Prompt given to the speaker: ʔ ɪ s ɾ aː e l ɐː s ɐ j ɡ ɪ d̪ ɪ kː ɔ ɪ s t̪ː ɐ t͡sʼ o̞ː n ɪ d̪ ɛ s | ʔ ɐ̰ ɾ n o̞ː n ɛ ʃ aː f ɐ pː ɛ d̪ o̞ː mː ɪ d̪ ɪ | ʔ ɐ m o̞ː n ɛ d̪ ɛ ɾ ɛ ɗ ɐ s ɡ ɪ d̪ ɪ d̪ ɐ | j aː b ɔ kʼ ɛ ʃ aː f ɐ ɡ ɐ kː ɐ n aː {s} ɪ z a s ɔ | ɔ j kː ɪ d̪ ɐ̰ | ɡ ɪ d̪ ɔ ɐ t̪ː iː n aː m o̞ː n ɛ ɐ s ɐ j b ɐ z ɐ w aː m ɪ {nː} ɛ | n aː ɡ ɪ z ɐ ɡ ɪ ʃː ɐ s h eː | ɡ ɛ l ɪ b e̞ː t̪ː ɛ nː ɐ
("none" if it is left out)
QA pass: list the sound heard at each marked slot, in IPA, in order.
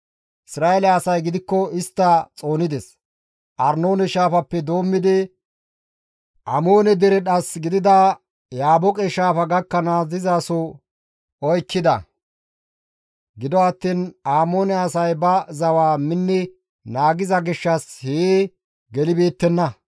z, nː

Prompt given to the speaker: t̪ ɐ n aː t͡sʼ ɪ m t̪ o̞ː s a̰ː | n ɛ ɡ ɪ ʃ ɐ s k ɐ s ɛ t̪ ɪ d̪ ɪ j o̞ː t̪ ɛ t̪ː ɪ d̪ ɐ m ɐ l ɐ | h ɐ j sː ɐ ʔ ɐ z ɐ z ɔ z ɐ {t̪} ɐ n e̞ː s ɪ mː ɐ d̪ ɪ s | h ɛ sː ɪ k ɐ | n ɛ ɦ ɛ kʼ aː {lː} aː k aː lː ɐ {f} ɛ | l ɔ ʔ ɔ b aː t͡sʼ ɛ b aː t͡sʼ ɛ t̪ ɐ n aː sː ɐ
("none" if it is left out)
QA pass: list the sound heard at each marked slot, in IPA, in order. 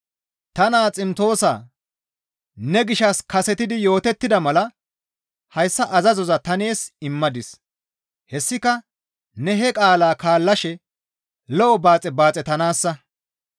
t̪, l, ʃ

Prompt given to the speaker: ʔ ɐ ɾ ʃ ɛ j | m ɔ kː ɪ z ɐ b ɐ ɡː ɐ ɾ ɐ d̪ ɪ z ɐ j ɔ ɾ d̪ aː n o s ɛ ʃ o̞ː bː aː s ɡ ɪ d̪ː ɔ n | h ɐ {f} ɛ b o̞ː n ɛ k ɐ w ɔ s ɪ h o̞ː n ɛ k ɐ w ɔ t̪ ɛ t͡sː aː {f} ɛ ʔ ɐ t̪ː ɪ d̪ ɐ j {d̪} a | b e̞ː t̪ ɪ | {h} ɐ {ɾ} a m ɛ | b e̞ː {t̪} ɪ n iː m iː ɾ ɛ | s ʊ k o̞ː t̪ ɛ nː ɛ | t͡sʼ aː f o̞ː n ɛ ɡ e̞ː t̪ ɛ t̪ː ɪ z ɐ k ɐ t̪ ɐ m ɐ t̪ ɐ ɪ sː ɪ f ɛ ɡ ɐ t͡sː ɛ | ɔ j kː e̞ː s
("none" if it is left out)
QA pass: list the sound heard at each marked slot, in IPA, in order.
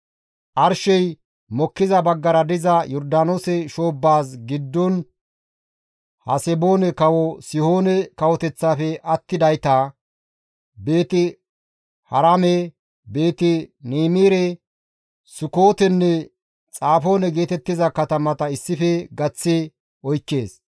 s, f, t̪, h, ɾ, t̪

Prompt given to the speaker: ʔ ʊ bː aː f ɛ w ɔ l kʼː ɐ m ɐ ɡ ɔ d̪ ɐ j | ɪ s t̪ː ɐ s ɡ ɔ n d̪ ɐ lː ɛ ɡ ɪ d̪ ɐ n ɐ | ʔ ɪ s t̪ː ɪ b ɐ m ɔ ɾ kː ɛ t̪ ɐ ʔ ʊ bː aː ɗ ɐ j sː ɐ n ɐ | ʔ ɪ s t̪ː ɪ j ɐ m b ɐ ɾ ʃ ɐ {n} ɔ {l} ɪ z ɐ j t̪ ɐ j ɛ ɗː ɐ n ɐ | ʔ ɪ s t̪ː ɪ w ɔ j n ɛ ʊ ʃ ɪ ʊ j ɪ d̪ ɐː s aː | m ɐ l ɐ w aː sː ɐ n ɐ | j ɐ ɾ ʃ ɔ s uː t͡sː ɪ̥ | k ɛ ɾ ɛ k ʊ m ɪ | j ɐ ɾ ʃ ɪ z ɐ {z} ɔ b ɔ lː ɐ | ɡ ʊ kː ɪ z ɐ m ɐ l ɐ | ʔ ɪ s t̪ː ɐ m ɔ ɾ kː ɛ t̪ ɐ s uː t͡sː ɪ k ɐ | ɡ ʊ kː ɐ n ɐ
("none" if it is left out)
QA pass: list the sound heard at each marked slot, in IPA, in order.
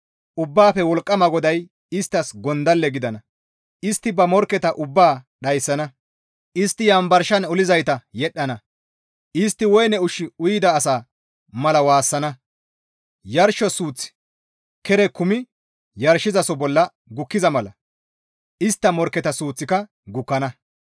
n, l, s

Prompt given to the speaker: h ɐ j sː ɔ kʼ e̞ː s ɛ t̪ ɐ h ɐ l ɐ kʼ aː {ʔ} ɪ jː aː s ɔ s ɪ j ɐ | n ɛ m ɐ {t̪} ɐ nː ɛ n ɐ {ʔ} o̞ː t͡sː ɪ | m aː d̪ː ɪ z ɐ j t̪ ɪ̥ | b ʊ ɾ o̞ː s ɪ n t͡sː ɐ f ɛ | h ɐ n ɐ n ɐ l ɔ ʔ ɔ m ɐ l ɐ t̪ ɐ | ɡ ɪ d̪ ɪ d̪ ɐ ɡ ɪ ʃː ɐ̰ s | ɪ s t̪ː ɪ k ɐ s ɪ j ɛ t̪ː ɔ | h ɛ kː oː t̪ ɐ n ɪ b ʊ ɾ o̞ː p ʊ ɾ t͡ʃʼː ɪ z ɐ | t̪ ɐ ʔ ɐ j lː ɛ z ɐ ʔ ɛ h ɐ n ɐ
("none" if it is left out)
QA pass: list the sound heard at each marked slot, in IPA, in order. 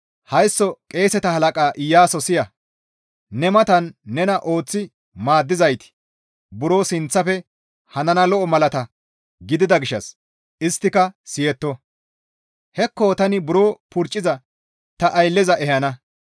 ʔ, t̪, ʔ

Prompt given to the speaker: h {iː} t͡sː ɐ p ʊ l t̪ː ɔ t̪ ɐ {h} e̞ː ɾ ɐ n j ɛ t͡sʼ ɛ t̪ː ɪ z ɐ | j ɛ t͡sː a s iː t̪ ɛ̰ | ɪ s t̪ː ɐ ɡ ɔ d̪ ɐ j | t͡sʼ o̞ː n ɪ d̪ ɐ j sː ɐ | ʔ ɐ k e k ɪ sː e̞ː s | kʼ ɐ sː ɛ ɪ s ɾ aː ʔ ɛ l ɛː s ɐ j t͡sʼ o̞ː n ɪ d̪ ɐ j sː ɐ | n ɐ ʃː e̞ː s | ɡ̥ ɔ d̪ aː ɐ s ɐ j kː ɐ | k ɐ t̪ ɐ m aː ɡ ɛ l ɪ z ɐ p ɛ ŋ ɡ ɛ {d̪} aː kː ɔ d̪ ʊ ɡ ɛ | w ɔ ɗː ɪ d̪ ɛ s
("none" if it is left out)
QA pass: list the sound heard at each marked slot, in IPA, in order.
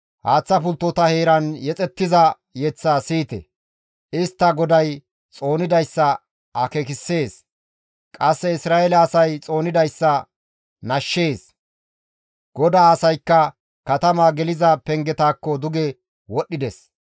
aː, h, t̪

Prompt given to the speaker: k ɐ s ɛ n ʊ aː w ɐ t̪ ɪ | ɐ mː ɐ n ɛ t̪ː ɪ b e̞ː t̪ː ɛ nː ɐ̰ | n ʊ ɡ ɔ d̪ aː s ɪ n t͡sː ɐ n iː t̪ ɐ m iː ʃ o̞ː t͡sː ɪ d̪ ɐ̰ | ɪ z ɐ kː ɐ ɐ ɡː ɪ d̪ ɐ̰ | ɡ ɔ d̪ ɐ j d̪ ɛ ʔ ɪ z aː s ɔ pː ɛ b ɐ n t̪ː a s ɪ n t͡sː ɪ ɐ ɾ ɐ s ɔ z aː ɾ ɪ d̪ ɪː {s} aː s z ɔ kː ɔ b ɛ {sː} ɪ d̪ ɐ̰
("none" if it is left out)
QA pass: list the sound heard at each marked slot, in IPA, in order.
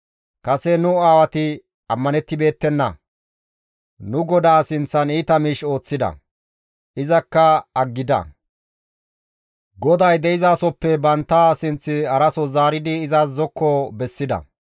z, sː

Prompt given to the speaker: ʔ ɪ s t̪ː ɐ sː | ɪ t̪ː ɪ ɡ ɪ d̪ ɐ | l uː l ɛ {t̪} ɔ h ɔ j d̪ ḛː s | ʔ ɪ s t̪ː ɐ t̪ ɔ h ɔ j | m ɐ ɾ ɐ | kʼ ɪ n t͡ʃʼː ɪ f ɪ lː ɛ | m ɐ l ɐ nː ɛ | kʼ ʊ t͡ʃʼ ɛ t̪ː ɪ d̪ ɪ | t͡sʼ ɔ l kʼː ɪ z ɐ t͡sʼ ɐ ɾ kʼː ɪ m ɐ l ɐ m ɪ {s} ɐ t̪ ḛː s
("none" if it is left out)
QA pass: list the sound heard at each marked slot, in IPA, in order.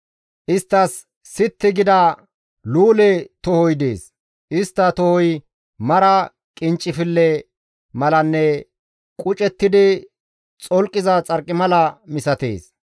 t̪, s

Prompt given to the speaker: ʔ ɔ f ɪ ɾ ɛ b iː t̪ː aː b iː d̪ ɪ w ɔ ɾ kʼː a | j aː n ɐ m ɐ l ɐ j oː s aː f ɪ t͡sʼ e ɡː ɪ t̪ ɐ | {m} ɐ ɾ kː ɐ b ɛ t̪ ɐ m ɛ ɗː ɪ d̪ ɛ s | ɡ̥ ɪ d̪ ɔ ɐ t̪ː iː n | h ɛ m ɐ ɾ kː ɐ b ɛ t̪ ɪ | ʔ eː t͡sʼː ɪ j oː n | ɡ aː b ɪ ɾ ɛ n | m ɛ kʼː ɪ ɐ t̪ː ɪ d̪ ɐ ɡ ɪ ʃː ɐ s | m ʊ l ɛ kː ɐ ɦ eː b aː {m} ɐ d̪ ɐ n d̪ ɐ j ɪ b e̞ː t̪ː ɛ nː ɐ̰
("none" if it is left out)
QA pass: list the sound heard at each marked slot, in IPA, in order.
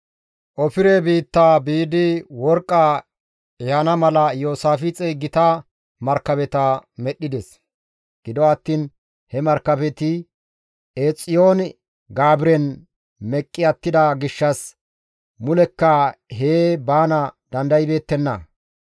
m, n

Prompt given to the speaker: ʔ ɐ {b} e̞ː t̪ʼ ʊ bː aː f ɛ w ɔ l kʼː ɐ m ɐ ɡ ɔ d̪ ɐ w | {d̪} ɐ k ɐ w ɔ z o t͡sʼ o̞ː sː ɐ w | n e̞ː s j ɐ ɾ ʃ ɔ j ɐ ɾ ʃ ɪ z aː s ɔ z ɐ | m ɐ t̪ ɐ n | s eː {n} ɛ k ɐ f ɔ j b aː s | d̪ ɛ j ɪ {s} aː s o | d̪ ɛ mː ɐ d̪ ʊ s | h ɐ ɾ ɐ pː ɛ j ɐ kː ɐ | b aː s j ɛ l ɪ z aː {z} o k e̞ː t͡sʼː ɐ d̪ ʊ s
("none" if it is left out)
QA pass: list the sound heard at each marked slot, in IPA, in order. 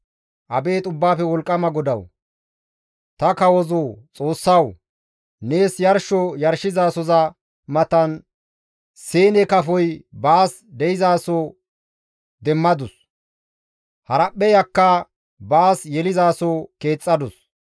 b, t̪, n, z, s

